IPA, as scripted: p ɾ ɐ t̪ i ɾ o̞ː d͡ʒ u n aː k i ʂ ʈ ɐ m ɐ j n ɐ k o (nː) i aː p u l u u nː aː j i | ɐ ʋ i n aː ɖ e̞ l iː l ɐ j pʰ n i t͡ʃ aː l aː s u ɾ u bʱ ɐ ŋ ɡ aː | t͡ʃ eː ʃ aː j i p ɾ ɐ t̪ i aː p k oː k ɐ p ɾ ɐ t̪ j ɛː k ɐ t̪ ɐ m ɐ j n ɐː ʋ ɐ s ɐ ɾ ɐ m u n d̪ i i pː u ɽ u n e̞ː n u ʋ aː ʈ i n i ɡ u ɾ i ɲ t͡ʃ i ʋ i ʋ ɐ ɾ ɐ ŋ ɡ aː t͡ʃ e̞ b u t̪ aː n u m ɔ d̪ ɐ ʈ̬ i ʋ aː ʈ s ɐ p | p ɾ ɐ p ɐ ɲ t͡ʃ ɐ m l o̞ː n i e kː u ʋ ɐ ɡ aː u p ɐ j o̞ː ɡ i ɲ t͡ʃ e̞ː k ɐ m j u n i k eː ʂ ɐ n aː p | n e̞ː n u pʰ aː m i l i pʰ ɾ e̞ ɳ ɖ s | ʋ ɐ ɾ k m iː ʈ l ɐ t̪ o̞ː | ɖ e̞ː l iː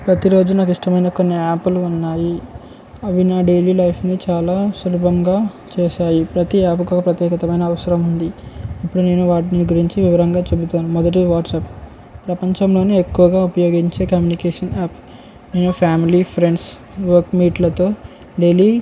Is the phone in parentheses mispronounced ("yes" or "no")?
no